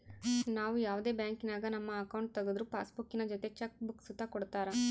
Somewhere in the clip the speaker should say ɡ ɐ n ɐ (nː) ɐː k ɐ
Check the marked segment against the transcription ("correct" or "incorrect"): incorrect